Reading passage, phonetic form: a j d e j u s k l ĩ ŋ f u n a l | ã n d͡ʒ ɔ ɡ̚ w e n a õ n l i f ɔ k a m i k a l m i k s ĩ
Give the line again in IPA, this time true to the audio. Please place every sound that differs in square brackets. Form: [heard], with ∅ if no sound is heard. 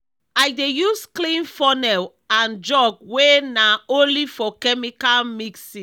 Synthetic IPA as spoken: a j d e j u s k l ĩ [n] f [ɔ] n [ɛ] l | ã n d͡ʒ ɔ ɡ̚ w e n a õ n l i f ɔ k [ɛ] m i k a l m i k s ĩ

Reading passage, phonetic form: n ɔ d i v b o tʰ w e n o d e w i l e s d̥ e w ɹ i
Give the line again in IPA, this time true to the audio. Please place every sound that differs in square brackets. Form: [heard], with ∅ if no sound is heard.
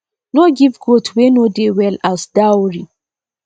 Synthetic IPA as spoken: n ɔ [ɡ] i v [ɡ] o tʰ w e n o d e w [ɛ] l [a] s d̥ [a] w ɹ i

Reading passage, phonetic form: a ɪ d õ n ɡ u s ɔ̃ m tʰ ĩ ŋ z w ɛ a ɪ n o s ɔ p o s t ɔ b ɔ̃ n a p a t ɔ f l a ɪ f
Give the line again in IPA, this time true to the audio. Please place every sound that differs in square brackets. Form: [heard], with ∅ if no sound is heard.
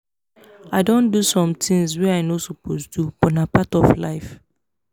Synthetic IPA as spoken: a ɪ d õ n [d] u s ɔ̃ m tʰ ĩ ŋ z w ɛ a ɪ n o s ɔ p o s t [u] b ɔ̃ n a p a t ɔ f l a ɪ f

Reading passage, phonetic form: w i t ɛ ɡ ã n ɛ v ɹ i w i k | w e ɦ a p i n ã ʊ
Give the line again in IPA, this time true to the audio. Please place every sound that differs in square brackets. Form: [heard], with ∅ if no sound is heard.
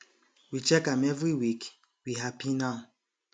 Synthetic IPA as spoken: w i [t͡ʃ] ɛ [k] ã [m] ɛ v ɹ i w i k | w [i] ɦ a p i n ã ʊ

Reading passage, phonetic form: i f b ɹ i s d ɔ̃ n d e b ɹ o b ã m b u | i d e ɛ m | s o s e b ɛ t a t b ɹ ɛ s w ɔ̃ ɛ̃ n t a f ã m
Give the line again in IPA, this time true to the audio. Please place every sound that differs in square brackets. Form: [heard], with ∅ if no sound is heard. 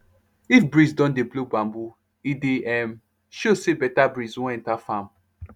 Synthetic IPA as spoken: i f b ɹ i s d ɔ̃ n d e b [l] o b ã m b u | i d e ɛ m | [ʃ] o s e b ɛ t a [∅] b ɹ [i] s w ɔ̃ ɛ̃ n t a f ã m

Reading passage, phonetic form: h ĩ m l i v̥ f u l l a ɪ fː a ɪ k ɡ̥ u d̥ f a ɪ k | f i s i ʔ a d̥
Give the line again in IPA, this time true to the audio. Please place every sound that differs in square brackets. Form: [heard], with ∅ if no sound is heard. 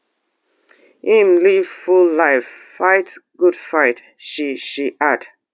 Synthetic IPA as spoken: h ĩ m l i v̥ f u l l a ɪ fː a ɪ [t] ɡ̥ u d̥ f a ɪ [t] | [ʃ] i [ʃ] i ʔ a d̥

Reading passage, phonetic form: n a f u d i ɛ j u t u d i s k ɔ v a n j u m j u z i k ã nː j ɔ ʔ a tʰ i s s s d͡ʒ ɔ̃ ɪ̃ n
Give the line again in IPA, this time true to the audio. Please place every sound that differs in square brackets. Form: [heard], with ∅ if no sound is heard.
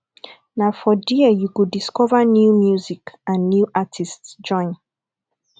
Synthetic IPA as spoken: n a f [ɔ] d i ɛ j u [k] u d i s k ɔ v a n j u m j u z i k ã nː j [u] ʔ a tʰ i s [t] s d͡ʒ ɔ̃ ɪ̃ n

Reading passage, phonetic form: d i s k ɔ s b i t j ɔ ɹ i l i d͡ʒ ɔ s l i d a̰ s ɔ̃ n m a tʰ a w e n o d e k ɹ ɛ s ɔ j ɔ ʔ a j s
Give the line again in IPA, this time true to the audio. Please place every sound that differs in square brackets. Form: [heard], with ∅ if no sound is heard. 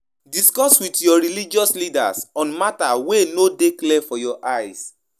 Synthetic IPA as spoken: d i s k ɔ s [w] i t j ɔ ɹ i l i d͡ʒ ɔ s l i d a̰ s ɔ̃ n m a [t] a w e n o d e k [l] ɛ [f] ɔ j ɔ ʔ a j s

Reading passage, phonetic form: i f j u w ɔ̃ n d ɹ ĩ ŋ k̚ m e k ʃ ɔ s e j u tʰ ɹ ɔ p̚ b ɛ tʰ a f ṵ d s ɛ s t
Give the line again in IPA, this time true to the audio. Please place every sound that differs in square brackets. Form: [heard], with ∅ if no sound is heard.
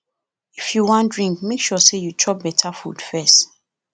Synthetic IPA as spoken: i f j u w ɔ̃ n d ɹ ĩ ŋ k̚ m e k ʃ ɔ s e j u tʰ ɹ ɔ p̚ b ɛ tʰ a f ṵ d [f] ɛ s t

